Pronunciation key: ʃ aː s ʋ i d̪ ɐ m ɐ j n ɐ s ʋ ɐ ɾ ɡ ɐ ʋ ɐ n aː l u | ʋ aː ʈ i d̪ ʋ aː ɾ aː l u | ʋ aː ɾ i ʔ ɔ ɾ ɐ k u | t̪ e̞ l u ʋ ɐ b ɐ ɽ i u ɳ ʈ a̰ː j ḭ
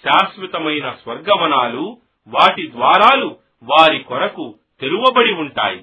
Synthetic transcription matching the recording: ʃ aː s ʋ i t̪ ɐ m ɐ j n ɐ s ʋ ɐ ɾ ɡ ɐ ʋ ɐ n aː l u | ʋ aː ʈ i d̪ ʋ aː ɾ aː l u | ʋ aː ɾ i k ɔ ɾ ɐ k u | t̪ e̞ l u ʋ ɐ b ɐ ɽ i u ɳ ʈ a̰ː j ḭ